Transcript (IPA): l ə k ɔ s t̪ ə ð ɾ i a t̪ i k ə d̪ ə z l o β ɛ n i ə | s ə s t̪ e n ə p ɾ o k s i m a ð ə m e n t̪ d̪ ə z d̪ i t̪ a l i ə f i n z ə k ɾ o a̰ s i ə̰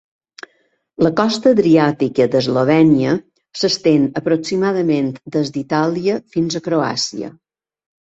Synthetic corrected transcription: l ə k ɔ s t̪ ə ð ɾ i a t̪ i k ə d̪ ə z l o β ɛ n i ə | s ə s t̪ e n ə p ɾ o k s i m a ð ə m e n t̪ d̪ ə z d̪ i t̪ a l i ə f i n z ə k ɾ o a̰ s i ə̰